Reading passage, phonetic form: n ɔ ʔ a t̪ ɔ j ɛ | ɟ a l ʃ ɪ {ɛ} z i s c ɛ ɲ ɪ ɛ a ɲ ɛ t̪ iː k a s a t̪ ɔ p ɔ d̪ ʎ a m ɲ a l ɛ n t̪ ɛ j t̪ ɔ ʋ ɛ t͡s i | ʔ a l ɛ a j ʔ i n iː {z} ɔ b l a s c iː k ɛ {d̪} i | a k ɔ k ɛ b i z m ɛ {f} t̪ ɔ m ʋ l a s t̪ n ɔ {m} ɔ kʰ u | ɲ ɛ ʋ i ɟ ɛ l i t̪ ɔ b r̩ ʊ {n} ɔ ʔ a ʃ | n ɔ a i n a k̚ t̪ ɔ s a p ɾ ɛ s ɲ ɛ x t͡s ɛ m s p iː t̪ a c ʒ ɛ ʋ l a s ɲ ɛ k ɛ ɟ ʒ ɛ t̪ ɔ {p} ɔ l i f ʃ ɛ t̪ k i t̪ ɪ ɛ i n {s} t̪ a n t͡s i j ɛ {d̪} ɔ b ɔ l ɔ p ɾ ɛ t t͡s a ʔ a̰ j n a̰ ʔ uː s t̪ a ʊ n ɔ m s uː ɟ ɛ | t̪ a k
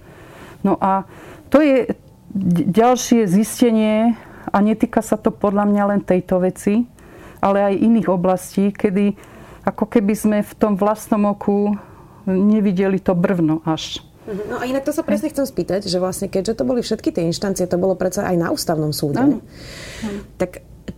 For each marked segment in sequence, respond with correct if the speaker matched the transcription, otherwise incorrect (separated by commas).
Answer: correct, incorrect, correct, correct, correct, correct, incorrect, incorrect, incorrect